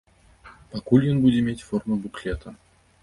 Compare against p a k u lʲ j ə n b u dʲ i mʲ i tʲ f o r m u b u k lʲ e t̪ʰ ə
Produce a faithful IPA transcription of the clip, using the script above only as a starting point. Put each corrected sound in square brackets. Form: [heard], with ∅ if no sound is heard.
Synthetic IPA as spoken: p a k u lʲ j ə n b u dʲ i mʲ [e] tʲ f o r m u b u k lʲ e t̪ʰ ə